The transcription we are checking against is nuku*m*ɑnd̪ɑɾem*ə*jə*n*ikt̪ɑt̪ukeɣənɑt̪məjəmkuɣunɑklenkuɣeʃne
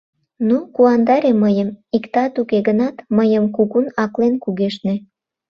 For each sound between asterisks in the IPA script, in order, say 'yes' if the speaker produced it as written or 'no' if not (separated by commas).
no, yes, no